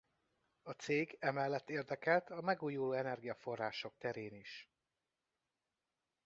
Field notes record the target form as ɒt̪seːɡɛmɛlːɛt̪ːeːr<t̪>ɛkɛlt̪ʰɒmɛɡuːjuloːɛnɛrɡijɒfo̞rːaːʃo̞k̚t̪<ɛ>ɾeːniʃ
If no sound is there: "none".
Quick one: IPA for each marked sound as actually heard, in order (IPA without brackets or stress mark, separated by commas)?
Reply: d̪, ɛ